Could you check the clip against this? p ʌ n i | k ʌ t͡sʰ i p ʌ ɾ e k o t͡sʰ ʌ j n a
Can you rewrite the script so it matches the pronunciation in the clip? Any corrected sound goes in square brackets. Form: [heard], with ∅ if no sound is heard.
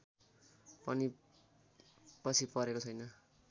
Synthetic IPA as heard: p ʌ n i | [p] ʌ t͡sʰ i p ʌ ɾ e k o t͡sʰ ʌ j n [ʌ]